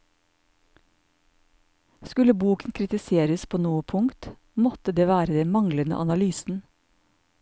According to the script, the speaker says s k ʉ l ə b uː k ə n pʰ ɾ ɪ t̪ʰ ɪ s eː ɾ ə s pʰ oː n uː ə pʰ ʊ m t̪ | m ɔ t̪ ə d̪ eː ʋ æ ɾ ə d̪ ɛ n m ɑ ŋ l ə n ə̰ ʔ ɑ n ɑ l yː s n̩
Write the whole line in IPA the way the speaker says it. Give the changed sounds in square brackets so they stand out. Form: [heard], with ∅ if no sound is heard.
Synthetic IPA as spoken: s k ʉ l ə b uː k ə n [kʰ] ɾ ɪ [t̪] ɪ s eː ɾ ə s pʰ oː n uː ə pʰ ʊ [ŋ] t̪ | m ɔ t̪ ə d̪ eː ʋ [æː] ɾ ə d̪ ɛ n m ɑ ŋ l ə n ə̰ ʔ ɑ n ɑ l yː s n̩

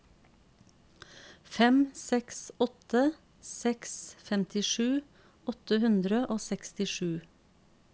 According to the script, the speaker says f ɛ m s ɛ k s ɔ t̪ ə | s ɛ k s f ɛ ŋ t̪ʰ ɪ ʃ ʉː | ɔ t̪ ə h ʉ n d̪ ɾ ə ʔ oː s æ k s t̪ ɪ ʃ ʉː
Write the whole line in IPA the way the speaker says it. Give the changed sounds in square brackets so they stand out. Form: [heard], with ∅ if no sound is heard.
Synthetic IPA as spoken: f ɛ m s ɛ k s ɔ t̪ ə | s ɛ k s f ɛ [m] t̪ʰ ɪ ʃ ʉː | ɔ t̪ ə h ʉ n d̪ ɾ ə ʔ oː s [ɛ] k s t̪ ɪ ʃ ʉː

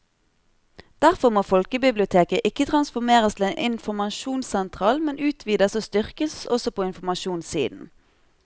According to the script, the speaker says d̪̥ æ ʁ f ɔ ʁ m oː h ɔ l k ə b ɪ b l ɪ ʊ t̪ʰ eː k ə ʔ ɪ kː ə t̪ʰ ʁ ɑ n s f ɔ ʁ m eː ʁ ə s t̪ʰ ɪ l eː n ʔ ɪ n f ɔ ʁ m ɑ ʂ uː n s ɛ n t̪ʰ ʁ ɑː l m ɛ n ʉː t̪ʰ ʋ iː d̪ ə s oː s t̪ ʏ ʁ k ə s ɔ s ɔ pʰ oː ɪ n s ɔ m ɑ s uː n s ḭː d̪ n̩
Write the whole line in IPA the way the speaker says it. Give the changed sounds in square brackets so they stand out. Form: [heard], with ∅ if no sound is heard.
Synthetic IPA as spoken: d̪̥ æ ʁ f ɔ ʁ m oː [f] ɔ l k ə b ɪ b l ɪ ʊ t̪ʰ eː k ə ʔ ɪ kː ə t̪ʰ ʁ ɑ n s f ɔ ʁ m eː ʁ ə s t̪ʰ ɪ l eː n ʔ ɪ n f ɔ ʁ m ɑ [ʃ] uː n s ɛ n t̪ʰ ʁ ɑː l m ɛ n ʉː t̪ʰ ʋ iː d̪ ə s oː s t̪ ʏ ʁ k ə s ɔ s ɔ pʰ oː ɪ n [f] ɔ m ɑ [ʃ] uː n s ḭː d̪ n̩

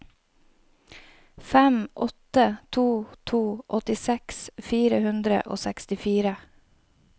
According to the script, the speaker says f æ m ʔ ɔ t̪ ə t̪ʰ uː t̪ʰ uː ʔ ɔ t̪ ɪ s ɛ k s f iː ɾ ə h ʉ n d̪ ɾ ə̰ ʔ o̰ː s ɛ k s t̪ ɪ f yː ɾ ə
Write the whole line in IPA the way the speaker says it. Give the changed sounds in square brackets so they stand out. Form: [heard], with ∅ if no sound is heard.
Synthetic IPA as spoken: f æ m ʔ ɔ t̪ ə t̪ʰ uː t̪ʰ uː ʔ ɔ t̪ ɪ s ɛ k s f iː ɾ ə h ʉ n d̪ ɾ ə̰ ʔ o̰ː s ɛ k s t̪ ɪ f [iː] ɾ ə

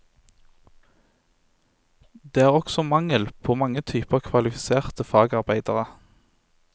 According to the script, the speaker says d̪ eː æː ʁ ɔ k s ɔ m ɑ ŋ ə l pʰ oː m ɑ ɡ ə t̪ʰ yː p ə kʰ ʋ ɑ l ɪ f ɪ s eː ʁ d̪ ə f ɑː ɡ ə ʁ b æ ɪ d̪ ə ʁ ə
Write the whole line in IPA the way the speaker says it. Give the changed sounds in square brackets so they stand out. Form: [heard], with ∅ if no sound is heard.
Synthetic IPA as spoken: d̪ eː æː ʁ ɔ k s ɔ m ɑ ŋ ə l pʰ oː m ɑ [ŋ] ə t̪ʰ yː p ə kʰ ʋ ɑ l ɪ f ɪ s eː ʁ [t̪] ə f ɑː ɡ [ɑ] ʁ b æ ɪ d̪ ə ʁ ə

